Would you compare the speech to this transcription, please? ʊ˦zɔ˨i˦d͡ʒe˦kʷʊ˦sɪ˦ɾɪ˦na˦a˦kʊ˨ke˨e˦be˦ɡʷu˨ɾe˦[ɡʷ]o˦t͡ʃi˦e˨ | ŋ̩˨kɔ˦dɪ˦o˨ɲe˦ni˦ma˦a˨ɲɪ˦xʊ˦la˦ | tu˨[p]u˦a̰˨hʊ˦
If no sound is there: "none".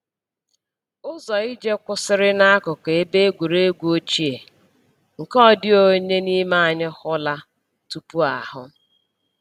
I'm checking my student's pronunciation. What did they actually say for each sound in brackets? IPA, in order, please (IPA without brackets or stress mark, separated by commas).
ɡʷ, p